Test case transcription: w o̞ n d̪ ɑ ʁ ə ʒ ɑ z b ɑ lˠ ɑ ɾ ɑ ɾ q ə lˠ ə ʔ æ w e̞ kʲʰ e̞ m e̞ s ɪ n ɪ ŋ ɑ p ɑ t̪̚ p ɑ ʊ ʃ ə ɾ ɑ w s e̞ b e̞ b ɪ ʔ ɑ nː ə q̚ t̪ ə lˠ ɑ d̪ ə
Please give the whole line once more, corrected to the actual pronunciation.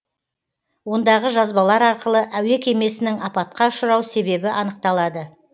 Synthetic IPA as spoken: w o̞ n d̪ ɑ ʁ ə ʒ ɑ z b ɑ lˠ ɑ ɾ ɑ ɾ q ə lˠ ə ʔ æ w e̞ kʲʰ e̞ m e̞ s ɪ n ɪ ŋ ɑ p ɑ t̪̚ q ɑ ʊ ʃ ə ɾ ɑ w s e̞ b e̞ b ɪ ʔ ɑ n ə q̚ t̪ ɑ lˠ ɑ d̪ ə

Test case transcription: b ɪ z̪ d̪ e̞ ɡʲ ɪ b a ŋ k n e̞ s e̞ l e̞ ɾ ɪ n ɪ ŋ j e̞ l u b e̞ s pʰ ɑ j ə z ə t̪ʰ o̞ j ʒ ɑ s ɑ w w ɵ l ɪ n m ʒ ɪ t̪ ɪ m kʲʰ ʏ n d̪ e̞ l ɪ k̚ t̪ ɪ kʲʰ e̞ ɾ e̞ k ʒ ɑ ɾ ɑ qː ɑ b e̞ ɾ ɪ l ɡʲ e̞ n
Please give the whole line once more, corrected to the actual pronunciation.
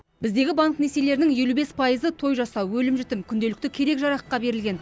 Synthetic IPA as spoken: b ɪ z̪ d̪ e̞ ɡʲ ɪ b a ŋ k n e̞ s e̞ l e̞ ɾ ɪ n ɪ ŋ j e̞ l u b e̞ s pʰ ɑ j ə z ə t̪ʰ o̞ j ʒ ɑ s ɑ w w ɵ l ɪ m ʒ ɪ t̪ ɪ m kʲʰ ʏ n d̪ e̞ l ɪ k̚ t̪ ɪ kʲʰ e̞ ɾ e̞ k ʒ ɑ ɾ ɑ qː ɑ b e̞ ɾ ɪ l ɡʲ e̞ n

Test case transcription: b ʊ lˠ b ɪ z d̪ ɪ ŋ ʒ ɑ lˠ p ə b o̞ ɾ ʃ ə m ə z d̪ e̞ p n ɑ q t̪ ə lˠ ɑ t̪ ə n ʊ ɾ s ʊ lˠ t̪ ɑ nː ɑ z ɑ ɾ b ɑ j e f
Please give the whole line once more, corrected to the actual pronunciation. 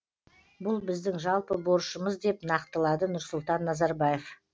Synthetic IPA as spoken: b ʊ lˠ b ɪ z d̪ ɪ ŋ ʒ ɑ lˠ p ə b o̞ ɾ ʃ ə m ə z d̪ e̞ p n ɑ q t̪ ə lˠ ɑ d̪ ə n ʊ ɾ s ʊ lˠ t̪ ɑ nː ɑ z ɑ ɾ b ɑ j e f

